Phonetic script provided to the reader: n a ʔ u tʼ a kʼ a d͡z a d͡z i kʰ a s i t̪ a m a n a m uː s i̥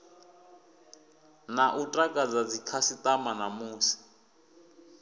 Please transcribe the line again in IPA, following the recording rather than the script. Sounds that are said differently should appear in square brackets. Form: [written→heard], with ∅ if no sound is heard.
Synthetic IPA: n a ʔ u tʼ a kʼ a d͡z a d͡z i kʰ a s i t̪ a m a n a m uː s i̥